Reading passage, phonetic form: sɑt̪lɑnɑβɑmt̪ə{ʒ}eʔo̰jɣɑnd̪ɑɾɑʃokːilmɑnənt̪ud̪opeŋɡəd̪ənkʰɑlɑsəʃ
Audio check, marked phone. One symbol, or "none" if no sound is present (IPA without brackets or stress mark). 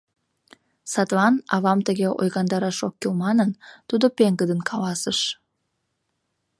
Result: ɣ